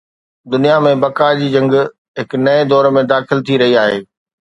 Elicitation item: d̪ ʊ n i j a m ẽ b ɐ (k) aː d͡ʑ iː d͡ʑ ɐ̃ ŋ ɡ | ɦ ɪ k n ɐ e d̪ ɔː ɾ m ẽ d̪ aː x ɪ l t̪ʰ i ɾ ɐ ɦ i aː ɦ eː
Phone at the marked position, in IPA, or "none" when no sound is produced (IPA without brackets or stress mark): k